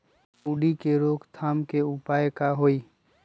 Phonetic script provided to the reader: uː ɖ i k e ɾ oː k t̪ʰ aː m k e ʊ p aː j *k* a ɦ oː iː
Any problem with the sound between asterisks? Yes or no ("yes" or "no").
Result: no